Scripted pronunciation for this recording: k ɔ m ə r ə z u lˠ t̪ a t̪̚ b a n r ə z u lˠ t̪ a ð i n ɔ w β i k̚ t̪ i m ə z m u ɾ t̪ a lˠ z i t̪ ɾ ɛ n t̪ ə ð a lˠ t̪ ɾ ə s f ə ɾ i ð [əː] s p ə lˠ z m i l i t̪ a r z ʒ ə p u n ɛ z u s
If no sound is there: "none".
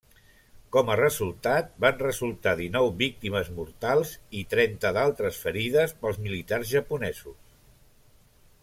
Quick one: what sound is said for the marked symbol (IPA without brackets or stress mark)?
ə